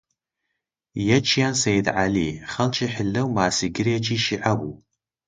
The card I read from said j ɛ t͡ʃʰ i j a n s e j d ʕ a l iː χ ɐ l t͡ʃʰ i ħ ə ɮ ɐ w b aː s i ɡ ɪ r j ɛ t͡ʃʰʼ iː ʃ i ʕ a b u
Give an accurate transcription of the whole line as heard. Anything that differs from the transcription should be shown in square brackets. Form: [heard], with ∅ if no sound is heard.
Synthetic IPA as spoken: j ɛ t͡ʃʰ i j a n s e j d ʕ a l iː χ ɐ l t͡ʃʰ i ħ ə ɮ ɐ w [m] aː s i ɡ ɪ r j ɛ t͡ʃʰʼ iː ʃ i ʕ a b u